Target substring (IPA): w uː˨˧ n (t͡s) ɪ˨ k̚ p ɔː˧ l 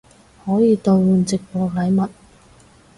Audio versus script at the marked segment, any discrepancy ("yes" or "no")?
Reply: no